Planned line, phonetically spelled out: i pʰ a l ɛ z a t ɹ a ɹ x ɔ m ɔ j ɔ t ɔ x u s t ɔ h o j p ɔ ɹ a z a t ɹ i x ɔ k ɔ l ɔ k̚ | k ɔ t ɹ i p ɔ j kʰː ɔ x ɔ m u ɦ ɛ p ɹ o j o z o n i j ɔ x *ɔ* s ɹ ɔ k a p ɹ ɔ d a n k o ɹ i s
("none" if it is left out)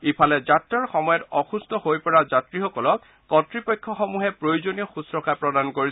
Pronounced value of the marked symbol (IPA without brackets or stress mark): u